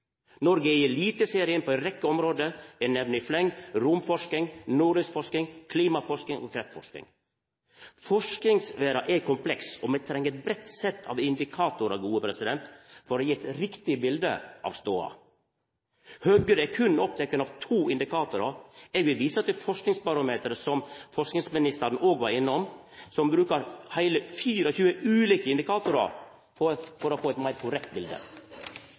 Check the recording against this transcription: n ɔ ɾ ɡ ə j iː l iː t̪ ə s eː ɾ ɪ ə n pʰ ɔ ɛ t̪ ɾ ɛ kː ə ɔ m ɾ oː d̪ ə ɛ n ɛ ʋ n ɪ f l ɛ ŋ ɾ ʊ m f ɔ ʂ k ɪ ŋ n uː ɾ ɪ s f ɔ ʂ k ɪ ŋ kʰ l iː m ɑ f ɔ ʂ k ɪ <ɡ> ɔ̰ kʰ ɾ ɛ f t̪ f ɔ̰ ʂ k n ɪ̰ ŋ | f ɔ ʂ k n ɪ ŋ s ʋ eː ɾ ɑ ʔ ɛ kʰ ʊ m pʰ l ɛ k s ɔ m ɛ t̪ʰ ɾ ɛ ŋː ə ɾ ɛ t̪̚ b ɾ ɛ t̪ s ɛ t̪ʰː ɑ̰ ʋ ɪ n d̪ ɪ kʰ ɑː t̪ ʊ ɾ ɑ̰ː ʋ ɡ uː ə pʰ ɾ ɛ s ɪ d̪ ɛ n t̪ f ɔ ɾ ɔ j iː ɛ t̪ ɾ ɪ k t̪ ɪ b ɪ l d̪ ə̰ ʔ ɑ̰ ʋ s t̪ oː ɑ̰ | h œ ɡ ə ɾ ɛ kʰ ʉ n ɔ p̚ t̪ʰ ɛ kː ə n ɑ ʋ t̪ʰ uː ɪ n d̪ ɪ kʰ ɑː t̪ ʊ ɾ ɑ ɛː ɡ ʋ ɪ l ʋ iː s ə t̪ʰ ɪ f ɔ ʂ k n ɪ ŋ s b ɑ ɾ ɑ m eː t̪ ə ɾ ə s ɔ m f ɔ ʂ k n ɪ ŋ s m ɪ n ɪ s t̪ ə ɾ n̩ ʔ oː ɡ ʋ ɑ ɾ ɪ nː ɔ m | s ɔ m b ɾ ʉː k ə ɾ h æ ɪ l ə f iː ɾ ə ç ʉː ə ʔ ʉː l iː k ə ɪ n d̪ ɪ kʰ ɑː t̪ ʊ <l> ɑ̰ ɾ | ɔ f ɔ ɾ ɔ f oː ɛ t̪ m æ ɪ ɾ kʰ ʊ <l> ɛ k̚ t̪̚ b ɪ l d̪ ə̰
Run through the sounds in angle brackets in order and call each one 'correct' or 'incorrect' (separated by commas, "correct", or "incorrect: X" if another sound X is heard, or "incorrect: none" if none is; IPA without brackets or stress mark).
incorrect: ŋ, incorrect: ɾ, incorrect: ɾ